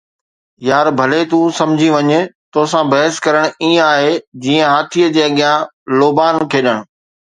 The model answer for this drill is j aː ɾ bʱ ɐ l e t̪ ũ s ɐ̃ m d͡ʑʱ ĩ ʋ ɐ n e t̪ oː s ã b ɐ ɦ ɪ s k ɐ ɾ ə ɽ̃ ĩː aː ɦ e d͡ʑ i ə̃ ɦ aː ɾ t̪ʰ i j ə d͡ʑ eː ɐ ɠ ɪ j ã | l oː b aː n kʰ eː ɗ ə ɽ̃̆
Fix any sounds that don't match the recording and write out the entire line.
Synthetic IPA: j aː ɾ bʱ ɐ l e t̪ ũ s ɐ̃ m d͡ʑʱ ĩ ʋ ɐ ɲ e t̪ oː s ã b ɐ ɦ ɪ s k ɐ ɾ ə ɽ̃ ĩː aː ɦ e d͡ʑ iː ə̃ ɦ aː t̪ʰ i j ə d͡ʑ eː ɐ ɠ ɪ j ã | l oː b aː n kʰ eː ɗ ə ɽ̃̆